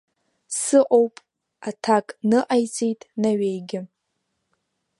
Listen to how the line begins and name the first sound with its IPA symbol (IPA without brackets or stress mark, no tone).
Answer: s